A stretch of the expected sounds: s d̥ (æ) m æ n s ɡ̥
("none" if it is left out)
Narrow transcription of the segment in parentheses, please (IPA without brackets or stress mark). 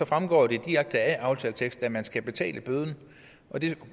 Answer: æ